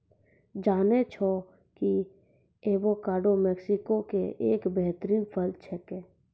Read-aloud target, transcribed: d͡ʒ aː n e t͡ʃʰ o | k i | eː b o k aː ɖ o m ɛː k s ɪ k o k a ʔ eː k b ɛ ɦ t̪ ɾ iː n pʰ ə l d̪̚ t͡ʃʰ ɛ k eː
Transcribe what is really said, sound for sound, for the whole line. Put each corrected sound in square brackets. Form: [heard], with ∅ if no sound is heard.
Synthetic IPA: d͡ʒ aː n e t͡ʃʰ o | k i | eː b o k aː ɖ o m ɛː k s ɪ k o k [e] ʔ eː k b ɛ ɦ t̪ ɾ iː n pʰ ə l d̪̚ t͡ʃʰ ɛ k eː